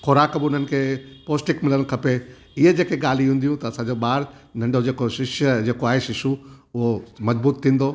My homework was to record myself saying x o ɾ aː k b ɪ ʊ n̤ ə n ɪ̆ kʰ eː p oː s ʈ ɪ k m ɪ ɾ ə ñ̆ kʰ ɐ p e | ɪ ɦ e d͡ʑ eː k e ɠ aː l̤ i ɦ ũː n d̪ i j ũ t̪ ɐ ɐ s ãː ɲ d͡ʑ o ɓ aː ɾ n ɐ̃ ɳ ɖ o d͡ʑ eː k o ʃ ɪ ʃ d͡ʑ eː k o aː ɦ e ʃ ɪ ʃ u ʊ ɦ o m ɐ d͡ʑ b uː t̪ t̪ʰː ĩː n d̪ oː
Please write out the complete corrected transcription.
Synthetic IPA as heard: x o ɾ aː k b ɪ ʊ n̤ ə n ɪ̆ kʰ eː p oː s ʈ ɪ k m ɪ l ə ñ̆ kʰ ɐ p e | ɪ ɦ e d͡ʑ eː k e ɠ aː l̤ i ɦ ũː n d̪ i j ũ t̪ ɐ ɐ s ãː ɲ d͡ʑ o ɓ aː ɾ n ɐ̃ ɳ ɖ o d͡ʑ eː k o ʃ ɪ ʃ d͡ʑ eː k o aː ɦ e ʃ ɪ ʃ u ʊ ɦ o m ɐ d͡ʑ b uː t̪ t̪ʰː ĩː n d̪ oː